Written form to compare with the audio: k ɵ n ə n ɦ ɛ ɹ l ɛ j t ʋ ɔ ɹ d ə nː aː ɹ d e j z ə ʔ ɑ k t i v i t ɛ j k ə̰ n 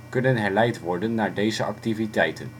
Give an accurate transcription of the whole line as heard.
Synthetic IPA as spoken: k ɵ n ə n ɦ ɛ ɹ l ɛ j t ʋ ɔ ɹ d ə nː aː ɹ d e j z ə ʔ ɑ k t i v i t ɛ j t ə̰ n